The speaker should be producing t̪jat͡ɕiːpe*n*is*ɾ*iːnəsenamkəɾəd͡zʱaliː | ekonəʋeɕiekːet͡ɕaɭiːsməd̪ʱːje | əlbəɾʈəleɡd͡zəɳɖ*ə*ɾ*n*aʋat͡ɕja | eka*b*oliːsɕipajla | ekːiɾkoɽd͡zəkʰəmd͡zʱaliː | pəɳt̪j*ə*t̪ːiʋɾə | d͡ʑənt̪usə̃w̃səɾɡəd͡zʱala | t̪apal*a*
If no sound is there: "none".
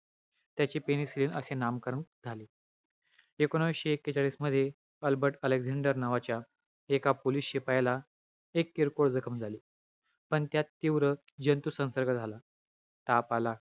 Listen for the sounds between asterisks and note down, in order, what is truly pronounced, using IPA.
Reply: n, l, ə, n, p, a, a

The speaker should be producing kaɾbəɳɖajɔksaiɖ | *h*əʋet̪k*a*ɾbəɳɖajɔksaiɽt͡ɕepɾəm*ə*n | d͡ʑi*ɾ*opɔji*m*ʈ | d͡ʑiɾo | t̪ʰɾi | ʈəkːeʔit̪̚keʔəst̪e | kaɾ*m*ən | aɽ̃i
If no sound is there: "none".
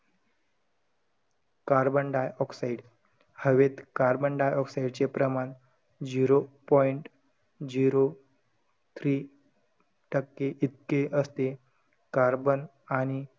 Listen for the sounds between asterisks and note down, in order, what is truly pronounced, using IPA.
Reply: h, a, a, ɾ, ɳ, b

